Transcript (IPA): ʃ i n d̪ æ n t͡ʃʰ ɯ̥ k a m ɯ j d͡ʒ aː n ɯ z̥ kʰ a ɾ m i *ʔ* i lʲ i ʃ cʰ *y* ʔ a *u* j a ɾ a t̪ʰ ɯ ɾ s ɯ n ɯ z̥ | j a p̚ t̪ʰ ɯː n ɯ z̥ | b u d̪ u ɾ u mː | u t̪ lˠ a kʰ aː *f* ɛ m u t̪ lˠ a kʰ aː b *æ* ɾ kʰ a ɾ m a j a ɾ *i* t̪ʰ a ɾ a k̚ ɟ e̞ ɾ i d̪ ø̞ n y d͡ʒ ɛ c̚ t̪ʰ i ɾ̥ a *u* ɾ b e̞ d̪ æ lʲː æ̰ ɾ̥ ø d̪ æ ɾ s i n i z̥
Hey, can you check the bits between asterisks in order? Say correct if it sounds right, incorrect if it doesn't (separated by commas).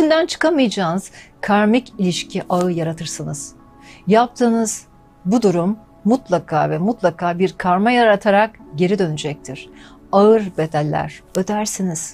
incorrect, incorrect, incorrect, incorrect, incorrect, incorrect, incorrect